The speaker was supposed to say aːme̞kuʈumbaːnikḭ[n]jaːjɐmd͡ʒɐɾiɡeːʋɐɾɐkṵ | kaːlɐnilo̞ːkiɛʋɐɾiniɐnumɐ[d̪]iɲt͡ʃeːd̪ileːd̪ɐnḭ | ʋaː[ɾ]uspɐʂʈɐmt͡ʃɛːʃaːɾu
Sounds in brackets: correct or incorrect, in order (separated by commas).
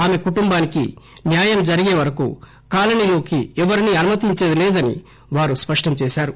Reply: correct, incorrect, correct